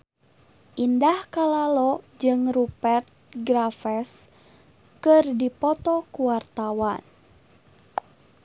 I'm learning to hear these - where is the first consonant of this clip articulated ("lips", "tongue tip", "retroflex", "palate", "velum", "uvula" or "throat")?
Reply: throat